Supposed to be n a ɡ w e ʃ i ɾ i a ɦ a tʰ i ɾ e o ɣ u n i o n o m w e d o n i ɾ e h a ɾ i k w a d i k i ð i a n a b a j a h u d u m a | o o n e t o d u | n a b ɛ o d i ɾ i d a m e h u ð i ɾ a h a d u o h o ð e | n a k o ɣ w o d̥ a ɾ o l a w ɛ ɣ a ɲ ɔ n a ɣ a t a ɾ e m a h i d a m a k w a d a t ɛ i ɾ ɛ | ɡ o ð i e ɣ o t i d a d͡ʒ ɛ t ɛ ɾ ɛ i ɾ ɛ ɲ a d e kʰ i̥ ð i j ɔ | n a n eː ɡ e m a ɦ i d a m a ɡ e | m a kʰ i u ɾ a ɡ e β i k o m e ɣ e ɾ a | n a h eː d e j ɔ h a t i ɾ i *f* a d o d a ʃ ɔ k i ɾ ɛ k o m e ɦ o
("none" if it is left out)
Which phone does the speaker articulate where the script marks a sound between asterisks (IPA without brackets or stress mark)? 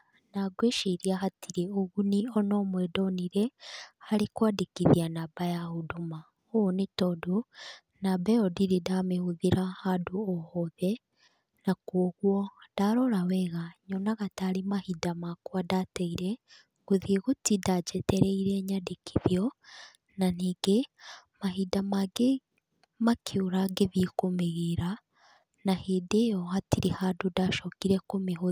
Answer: h